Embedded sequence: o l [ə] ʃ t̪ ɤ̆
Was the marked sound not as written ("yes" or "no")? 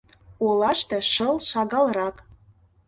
yes